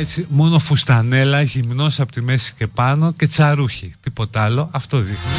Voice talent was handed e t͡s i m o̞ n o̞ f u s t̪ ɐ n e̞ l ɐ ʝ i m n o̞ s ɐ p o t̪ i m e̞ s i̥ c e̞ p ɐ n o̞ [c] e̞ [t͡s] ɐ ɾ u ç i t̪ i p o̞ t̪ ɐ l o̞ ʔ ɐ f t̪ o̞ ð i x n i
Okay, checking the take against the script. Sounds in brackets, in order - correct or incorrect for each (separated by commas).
correct, correct